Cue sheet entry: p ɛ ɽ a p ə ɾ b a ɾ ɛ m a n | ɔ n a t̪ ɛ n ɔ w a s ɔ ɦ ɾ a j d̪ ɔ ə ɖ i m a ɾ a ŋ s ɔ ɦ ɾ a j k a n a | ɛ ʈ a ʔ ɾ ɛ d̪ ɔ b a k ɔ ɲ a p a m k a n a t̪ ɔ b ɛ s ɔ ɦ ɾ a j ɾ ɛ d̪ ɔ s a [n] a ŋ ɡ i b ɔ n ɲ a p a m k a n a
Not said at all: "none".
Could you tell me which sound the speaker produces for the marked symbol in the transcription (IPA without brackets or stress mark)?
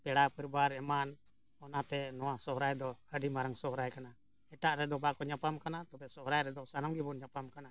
n